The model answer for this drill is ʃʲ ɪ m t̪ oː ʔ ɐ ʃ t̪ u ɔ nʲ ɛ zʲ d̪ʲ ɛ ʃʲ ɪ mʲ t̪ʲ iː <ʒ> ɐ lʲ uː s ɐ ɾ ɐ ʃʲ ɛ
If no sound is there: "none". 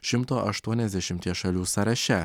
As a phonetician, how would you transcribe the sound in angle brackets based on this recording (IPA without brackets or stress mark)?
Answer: ʃ